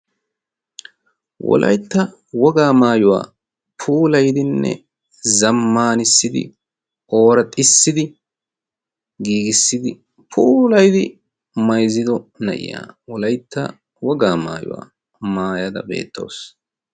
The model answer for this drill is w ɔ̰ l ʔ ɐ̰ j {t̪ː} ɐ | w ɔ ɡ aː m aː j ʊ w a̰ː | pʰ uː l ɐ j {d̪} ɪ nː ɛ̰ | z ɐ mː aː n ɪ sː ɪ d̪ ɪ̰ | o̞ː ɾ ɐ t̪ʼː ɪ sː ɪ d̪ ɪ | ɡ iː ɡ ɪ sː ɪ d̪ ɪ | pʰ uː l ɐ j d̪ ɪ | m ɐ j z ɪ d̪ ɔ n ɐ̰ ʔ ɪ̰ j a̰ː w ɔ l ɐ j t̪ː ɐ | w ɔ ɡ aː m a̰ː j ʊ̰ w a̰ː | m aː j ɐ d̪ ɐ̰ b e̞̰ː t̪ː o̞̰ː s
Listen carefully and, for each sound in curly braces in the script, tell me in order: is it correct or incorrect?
correct, correct

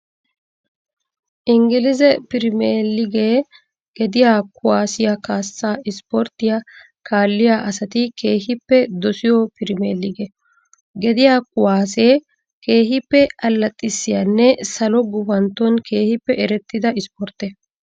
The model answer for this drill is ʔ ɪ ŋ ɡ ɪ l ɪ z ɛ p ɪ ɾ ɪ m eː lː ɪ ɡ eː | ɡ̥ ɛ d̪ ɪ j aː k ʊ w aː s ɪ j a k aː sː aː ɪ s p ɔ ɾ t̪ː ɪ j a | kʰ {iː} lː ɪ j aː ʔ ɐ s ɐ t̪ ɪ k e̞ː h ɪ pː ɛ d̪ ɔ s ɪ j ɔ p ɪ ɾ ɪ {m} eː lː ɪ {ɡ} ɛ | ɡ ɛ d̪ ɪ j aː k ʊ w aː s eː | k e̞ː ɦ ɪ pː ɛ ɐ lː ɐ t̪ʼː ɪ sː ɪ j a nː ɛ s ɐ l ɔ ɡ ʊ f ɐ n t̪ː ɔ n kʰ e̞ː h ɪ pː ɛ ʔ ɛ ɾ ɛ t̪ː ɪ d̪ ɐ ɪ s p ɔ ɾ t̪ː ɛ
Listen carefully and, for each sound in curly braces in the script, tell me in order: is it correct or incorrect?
incorrect, correct, correct

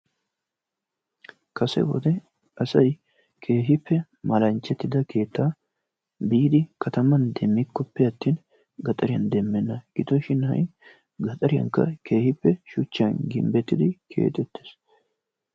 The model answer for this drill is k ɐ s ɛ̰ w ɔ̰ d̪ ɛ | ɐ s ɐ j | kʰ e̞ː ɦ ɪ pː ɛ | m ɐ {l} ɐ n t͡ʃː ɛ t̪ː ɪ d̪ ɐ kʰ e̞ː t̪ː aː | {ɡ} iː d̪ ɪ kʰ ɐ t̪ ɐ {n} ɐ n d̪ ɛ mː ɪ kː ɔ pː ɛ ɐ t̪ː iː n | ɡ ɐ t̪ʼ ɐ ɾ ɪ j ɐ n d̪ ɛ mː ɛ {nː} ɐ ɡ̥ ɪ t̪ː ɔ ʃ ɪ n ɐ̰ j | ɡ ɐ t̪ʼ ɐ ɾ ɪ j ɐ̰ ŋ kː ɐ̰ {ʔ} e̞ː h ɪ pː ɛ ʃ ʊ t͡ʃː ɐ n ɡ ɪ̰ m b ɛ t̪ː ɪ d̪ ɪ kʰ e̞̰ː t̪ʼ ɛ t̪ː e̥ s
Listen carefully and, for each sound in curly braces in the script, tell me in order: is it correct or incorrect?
correct, incorrect, incorrect, correct, incorrect

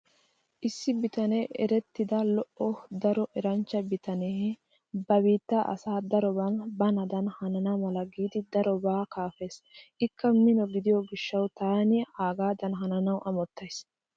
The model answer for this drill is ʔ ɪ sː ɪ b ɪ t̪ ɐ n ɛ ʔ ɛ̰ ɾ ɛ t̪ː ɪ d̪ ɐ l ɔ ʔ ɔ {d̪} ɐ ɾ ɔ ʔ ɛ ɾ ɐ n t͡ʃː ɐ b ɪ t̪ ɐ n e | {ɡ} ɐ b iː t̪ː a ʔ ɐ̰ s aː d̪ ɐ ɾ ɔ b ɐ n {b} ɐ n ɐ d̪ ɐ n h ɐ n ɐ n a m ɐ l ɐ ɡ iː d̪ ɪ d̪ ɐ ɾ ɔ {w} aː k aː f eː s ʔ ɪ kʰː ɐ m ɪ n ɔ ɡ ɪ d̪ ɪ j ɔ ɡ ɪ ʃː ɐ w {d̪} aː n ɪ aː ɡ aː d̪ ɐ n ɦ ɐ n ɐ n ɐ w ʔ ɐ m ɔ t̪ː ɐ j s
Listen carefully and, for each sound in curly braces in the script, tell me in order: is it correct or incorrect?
correct, incorrect, correct, incorrect, incorrect

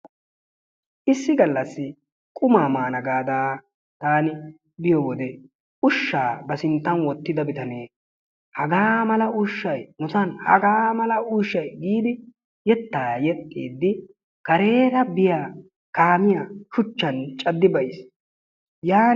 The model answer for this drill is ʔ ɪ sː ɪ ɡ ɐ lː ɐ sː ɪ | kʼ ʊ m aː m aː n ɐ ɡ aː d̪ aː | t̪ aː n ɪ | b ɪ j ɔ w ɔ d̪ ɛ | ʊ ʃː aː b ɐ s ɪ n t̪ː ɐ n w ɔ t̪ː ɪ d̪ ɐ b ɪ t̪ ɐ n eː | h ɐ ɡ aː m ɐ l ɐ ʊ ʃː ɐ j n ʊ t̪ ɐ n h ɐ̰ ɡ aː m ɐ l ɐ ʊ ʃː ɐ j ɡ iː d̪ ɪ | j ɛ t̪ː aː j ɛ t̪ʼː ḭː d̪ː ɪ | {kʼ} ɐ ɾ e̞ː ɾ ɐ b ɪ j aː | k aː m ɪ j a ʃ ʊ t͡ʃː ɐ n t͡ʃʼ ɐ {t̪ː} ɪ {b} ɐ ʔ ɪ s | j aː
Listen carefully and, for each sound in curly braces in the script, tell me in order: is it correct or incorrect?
incorrect, incorrect, correct

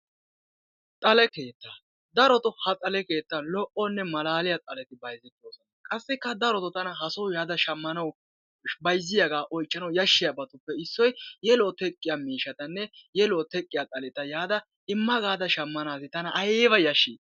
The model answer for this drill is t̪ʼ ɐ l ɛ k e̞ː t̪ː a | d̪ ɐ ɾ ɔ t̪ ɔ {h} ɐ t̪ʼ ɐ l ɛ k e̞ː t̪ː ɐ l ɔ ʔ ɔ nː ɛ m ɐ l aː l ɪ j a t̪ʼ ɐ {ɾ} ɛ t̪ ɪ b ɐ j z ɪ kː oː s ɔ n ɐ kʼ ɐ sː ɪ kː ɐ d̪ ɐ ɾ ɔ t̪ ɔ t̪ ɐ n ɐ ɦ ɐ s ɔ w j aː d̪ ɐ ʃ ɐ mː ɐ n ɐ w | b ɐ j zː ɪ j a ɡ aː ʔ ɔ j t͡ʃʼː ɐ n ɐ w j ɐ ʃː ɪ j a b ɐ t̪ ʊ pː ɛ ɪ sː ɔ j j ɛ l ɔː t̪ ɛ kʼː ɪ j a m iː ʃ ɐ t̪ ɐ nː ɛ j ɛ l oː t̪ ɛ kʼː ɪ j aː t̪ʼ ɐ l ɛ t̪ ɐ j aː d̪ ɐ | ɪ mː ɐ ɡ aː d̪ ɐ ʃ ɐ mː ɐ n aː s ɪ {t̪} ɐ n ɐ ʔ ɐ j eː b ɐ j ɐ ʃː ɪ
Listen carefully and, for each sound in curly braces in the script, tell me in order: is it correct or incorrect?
correct, incorrect, correct

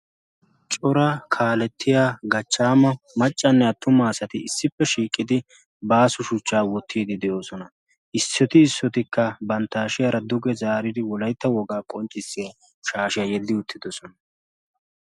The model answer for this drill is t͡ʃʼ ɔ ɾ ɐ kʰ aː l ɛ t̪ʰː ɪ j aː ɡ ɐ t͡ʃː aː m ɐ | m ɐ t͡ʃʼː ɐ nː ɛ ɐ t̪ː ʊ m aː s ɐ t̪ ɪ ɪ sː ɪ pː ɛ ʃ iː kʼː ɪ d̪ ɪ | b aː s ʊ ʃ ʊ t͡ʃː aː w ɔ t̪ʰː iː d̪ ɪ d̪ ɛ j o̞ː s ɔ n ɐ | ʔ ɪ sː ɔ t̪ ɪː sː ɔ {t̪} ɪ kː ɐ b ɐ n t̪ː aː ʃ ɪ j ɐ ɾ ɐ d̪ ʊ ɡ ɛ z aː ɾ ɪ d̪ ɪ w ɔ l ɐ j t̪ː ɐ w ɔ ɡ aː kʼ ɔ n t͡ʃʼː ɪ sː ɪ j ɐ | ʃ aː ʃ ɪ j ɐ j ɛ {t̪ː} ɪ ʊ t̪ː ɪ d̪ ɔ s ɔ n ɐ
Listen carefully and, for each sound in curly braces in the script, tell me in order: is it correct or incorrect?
correct, incorrect

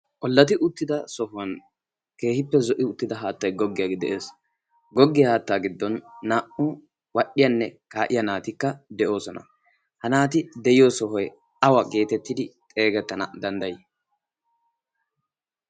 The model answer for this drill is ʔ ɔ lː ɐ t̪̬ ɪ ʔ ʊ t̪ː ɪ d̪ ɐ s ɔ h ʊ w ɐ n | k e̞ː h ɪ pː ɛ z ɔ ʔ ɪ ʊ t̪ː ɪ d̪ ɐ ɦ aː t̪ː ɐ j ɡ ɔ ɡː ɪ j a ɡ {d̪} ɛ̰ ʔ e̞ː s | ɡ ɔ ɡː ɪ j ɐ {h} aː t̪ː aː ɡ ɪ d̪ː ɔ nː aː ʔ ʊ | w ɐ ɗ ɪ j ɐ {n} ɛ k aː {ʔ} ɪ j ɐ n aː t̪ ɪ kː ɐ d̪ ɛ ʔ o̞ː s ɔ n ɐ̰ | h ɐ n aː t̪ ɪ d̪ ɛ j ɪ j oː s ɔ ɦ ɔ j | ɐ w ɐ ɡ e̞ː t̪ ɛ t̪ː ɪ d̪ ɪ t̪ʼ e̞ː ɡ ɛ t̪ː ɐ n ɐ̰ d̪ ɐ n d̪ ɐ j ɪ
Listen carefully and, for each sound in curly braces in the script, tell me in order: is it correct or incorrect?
correct, correct, incorrect, correct

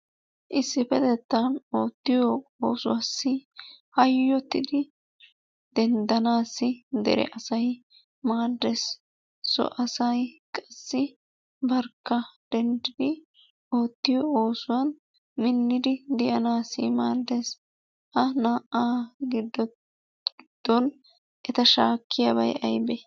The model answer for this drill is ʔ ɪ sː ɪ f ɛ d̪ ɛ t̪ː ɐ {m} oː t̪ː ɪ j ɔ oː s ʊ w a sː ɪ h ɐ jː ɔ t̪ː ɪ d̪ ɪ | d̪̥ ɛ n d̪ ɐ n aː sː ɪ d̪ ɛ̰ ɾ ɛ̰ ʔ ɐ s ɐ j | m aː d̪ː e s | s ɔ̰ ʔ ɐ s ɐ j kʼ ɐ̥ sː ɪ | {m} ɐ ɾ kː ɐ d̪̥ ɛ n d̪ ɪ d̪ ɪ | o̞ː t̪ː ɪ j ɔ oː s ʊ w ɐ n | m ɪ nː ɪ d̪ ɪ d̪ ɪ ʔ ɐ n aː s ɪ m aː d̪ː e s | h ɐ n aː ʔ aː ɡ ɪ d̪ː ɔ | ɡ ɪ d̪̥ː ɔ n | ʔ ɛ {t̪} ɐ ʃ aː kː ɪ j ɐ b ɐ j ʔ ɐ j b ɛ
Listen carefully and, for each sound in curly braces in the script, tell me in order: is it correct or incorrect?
incorrect, incorrect, correct

